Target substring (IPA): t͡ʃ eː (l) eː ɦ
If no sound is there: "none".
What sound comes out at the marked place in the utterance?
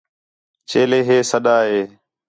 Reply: l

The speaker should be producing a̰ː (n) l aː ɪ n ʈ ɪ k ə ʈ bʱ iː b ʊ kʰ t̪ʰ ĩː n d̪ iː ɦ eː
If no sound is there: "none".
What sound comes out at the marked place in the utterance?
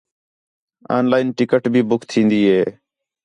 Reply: n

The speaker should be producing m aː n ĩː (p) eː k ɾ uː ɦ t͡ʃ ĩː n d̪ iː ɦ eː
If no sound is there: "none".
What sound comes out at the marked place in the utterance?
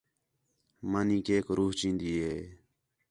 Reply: k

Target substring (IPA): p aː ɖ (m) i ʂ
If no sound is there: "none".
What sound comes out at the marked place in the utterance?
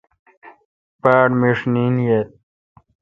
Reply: m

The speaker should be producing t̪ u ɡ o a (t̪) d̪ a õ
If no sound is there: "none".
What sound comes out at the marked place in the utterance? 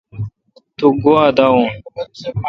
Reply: none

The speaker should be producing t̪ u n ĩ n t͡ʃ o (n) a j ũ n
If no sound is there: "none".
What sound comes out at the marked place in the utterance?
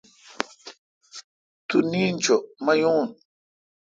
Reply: m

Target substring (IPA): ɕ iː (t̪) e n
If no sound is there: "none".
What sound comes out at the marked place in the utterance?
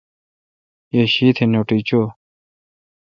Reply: t̪ʰ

